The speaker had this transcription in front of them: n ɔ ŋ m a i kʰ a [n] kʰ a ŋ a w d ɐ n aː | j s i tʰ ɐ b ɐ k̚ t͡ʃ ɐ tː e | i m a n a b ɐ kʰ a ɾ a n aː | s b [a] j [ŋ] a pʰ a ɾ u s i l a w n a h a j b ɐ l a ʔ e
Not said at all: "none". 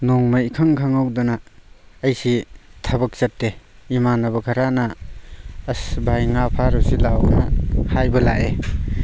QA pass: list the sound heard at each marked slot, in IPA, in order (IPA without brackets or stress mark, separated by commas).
ŋ, a, ŋ